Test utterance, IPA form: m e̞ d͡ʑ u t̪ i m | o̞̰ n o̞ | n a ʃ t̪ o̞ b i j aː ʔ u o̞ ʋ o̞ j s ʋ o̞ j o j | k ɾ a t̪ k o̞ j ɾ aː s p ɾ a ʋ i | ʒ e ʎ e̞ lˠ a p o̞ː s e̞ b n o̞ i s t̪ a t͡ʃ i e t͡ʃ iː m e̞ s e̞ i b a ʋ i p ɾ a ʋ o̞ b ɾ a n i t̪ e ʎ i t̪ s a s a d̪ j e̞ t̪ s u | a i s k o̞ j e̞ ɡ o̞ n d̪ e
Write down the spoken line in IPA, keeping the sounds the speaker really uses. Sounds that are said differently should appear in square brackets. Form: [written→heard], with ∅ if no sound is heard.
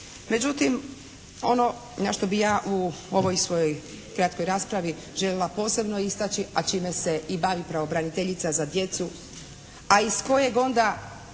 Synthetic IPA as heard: m e̞ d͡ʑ u t̪ i m | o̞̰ n o̞ | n a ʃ t̪ o̞ b i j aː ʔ u o̞ ʋ o̞ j s ʋ o̞ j o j | k ɾ a t̪ k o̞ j ɾ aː s p ɾ a ʋ i | ʒ e ʎ e̞ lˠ a p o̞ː s e̞ b n o̞ i s t̪ a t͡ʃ i [e→a] t͡ʃ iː m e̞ s e̞ i b a ʋ i p ɾ a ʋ o̞ b ɾ a n i t̪ e ʎ i t̪ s a [s→z] a d̪ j e̞ t̪ s u | a i s k o̞ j e̞ ɡ o̞ n d̪ [e→a]

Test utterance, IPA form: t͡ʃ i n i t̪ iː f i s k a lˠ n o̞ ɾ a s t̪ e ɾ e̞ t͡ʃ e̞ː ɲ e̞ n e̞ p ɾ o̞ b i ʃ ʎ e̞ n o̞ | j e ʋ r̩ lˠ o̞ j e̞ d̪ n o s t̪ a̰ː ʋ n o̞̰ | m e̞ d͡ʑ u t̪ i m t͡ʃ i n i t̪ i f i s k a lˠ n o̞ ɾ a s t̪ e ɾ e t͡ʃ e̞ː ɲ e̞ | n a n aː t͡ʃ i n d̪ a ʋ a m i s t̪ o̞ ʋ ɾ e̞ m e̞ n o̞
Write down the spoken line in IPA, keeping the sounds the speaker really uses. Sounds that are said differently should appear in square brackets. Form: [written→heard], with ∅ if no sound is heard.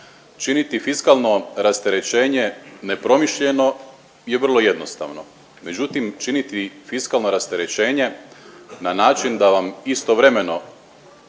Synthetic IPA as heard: t͡ʃ i n i t̪ [iː→i] f i s k a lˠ n o̞ ɾ a s t̪ e ɾ e̞ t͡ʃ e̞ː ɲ e̞ n e̞ p ɾ o̞ [b→m] i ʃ ʎ e̞ n o̞ | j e ʋ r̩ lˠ o̞ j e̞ d̪ n o s t̪ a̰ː ʋ n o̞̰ | m e̞ d͡ʑ u t̪ i m t͡ʃ i n i t̪ i f i s k a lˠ n o̞ ɾ a s t̪ e ɾ e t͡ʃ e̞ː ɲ e̞ | n a n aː t͡ʃ i n d̪ a ʋ a m i s t̪ o̞ ʋ ɾ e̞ m e̞ n o̞

